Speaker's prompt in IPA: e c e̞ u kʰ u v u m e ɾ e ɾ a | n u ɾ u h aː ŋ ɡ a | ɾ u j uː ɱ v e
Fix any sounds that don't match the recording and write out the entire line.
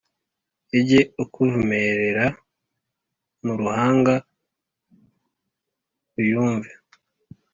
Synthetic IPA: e ɟ e̞ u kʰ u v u m e ɾ e ɾ a | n u ɾ u h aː ŋ ɡ a | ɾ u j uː ɱ v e